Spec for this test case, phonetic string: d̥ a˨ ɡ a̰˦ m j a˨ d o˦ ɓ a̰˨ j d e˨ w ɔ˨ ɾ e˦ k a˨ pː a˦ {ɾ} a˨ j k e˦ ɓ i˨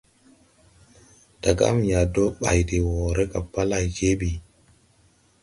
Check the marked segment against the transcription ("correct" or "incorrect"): incorrect